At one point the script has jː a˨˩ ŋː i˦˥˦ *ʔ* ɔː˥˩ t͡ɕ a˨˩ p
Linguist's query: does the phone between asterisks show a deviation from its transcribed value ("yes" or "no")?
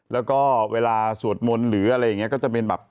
yes